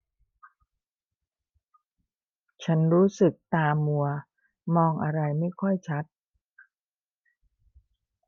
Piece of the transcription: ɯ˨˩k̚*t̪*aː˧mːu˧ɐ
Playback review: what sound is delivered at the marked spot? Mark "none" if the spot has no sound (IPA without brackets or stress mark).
t̪